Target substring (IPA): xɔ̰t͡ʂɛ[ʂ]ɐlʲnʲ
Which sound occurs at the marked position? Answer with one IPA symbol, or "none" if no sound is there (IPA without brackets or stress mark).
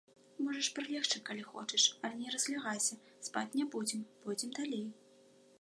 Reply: ʂ